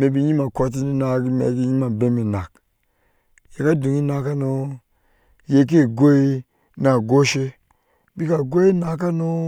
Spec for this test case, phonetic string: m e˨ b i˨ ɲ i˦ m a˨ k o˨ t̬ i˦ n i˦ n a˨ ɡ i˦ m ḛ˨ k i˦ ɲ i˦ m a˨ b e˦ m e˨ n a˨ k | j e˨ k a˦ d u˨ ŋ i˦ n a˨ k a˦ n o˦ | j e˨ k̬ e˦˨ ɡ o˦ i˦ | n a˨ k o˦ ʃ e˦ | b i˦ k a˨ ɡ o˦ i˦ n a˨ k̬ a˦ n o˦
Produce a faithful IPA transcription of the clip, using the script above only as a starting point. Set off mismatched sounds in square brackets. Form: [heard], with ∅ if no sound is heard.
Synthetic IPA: m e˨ b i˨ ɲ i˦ m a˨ k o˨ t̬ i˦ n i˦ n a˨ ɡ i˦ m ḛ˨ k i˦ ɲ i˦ m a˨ b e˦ m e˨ n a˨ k | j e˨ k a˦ d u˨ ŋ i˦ n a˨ k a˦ n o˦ | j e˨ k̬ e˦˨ ɡ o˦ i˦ | n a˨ [ɡ] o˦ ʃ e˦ | b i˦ k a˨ ɡ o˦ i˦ n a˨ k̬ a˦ n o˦